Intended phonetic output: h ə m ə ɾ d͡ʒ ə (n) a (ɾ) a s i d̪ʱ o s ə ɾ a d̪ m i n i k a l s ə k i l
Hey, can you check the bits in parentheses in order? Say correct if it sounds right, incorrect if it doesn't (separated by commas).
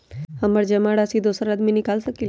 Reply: incorrect, incorrect